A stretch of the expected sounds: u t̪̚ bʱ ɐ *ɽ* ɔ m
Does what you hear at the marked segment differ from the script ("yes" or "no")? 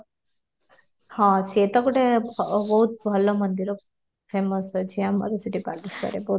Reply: yes